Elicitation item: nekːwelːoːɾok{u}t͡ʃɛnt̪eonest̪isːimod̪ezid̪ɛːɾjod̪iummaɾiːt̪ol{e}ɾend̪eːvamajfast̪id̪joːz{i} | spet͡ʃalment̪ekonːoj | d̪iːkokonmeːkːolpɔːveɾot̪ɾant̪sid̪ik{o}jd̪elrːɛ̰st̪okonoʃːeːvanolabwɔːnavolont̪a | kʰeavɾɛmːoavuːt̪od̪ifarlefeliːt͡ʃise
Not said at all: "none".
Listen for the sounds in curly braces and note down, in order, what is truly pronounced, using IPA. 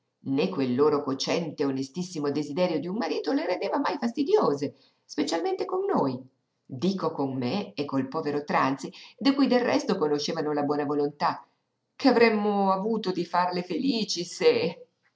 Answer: o, e, e, u

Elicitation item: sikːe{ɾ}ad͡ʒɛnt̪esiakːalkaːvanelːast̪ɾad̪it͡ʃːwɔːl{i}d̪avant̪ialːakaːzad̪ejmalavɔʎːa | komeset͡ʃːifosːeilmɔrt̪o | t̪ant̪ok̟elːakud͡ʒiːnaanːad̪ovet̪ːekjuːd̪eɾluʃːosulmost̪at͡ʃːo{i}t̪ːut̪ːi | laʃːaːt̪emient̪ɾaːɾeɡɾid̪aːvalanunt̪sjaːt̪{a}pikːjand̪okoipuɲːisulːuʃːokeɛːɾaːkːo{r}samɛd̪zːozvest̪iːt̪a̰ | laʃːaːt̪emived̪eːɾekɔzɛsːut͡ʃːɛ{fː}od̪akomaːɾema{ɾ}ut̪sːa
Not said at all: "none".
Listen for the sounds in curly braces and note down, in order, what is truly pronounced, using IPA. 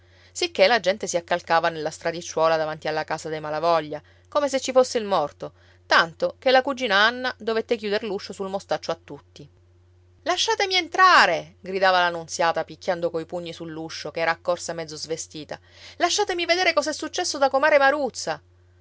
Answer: l, a, a, a, r, sː, ɾ

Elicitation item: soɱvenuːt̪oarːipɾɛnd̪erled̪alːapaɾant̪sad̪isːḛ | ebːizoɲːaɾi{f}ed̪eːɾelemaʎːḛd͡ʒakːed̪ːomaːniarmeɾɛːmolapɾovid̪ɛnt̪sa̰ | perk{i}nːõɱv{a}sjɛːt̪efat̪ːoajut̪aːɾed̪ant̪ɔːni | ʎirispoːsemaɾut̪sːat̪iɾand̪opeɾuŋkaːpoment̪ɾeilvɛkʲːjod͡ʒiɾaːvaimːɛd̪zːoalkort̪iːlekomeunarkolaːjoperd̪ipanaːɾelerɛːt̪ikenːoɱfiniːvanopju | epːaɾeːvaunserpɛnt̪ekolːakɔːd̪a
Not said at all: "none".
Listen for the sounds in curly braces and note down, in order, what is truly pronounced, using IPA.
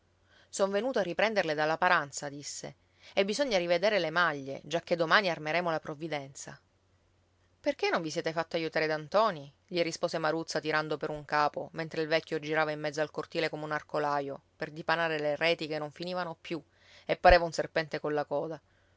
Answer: v, e, i

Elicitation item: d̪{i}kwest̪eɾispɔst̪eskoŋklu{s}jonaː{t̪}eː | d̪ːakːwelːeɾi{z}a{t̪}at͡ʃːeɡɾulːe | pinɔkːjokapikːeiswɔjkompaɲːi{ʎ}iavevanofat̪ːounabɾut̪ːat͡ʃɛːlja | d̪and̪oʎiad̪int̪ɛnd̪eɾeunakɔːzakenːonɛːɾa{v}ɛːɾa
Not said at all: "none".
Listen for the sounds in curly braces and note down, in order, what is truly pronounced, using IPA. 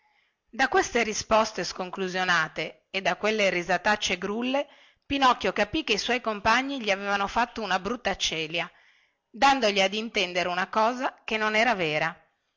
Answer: a, z, t̪, z, t̪, ʎ, v

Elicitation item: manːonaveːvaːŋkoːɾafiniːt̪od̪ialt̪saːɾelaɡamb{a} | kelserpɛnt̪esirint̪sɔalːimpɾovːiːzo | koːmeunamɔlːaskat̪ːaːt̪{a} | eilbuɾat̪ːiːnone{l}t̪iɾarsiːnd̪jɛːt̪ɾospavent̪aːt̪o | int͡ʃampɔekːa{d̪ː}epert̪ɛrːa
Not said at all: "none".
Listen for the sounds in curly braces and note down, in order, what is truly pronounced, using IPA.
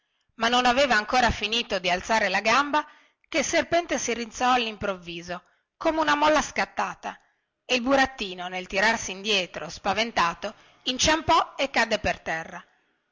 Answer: a, a, l, d̪ː

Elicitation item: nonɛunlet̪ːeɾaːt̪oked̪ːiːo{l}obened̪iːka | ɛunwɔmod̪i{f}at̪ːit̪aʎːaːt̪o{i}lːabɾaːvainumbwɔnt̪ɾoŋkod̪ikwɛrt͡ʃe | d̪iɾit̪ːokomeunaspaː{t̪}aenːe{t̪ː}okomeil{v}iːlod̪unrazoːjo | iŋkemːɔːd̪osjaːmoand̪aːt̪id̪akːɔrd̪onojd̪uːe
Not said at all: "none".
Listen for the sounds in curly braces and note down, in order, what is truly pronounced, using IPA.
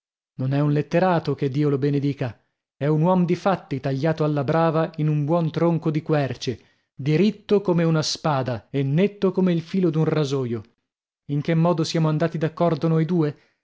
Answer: l, f, a, d̪, t̪ː, f

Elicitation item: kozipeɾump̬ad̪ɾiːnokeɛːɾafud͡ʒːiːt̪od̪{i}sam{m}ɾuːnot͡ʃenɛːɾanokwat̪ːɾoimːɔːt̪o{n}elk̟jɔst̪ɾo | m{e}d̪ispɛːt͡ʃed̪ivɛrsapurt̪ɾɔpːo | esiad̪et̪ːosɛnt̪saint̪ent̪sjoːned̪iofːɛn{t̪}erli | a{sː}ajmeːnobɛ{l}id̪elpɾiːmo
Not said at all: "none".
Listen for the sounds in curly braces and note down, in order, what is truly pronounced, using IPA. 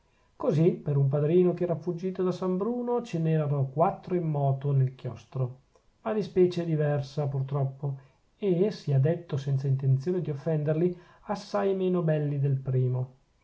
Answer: a, b, n, a, d̪, sː, lː

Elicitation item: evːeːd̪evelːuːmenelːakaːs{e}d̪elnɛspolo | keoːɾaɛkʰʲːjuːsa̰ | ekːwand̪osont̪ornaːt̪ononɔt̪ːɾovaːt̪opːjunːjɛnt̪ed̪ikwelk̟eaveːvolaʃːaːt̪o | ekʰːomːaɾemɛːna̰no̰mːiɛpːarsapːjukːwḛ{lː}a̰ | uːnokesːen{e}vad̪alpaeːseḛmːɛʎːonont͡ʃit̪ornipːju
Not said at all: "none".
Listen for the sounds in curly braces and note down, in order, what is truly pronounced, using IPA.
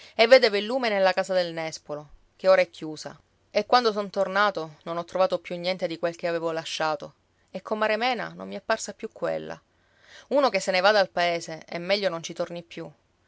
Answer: a, lː, e

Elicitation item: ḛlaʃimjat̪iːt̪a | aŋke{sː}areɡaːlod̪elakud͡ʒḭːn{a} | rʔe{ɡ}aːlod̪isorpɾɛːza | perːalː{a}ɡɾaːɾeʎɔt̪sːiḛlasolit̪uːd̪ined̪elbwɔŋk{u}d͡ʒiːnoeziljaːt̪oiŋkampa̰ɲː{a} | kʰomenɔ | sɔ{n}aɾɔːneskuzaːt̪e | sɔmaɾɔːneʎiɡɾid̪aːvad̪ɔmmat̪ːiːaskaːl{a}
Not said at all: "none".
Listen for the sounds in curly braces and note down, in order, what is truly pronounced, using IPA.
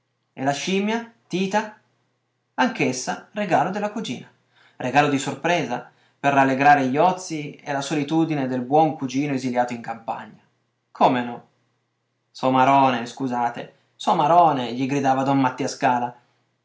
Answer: sː, a, ɡ, e, u, a, m, a

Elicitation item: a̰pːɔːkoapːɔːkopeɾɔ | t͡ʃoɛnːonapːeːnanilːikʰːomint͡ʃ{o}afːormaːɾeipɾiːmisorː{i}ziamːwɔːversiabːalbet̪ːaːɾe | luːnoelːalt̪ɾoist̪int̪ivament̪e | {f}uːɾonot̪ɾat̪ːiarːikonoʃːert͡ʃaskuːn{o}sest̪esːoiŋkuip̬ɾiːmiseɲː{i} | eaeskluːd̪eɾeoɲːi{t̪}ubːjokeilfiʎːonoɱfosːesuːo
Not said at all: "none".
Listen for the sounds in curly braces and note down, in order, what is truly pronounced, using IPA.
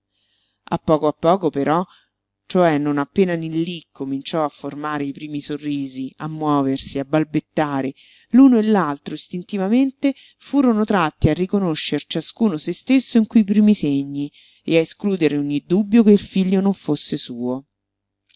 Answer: ɔ, iː, f, o, i, d̪

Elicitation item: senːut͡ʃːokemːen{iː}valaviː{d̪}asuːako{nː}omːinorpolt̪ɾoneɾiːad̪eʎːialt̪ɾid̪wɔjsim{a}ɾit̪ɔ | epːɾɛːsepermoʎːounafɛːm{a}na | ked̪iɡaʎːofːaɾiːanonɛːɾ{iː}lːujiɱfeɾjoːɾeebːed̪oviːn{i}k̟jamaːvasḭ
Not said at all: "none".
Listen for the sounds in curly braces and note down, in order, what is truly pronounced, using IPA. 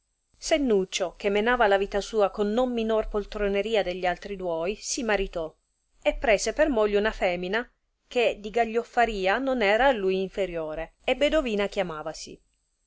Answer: aː, t̪, nː, a, i, aː, a

